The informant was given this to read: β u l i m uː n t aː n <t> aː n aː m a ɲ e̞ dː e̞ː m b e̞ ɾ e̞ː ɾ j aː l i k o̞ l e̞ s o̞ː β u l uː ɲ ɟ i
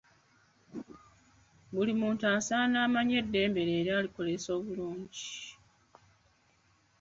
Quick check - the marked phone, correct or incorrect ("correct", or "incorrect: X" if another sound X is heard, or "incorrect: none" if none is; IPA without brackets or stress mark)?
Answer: incorrect: s